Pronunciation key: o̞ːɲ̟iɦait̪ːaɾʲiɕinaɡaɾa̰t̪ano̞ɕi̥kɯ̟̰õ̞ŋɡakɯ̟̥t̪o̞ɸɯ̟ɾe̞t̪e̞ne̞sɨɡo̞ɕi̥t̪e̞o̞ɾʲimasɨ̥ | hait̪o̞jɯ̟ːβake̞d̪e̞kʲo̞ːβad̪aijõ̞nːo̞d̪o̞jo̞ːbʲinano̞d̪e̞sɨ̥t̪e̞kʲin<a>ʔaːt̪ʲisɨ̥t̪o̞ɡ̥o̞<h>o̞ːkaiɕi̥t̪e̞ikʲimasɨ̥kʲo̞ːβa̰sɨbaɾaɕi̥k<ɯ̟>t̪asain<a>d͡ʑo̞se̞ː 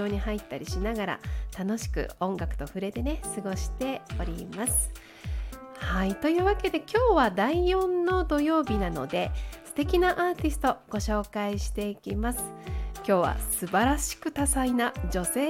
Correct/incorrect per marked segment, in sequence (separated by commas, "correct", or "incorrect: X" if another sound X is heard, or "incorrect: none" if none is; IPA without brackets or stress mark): correct, incorrect: ɕ, correct, correct